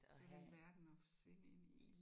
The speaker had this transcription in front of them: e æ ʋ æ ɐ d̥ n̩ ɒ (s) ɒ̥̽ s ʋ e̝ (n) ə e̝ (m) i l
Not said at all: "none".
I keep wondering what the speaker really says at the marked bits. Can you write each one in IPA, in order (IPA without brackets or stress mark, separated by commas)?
f, n, n